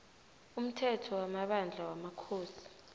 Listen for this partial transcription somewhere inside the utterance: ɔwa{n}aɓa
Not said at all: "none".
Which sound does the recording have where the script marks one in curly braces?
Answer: m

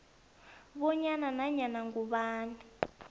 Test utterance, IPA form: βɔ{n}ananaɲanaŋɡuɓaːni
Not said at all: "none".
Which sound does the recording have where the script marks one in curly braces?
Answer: ɲ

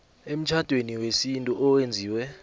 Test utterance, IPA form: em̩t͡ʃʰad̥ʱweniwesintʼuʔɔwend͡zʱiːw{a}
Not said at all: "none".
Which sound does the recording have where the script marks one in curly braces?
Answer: ɛ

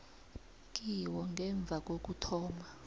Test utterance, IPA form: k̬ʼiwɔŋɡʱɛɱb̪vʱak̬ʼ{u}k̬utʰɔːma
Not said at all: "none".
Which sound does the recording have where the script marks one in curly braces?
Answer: o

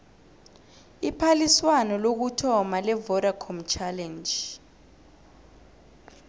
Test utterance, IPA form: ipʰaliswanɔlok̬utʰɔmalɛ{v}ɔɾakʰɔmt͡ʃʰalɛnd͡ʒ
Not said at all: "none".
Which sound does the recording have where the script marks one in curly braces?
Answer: v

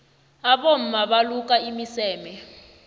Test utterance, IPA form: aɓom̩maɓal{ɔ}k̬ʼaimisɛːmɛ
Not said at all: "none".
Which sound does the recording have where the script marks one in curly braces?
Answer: u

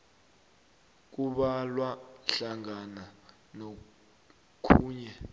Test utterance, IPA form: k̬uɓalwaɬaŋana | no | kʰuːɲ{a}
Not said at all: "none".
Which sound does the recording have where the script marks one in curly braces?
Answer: ɛ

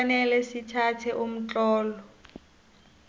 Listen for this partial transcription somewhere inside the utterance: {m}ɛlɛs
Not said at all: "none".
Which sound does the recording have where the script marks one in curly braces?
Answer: n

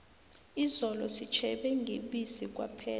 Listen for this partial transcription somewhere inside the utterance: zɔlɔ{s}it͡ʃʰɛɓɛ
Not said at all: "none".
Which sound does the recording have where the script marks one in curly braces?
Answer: s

